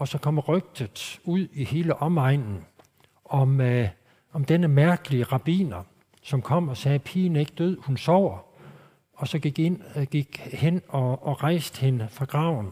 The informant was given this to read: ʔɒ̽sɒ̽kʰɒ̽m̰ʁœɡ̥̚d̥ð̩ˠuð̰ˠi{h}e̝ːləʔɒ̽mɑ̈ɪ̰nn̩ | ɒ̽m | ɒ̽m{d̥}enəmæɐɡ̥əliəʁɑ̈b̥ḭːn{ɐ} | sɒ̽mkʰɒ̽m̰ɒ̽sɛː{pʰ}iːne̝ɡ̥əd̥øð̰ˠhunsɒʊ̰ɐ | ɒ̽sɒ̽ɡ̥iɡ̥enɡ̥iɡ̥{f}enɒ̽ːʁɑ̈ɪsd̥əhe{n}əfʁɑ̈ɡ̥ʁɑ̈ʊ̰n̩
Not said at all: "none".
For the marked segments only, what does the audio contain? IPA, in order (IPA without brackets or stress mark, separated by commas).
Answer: h, d̥, ɐ, pʰ, h, n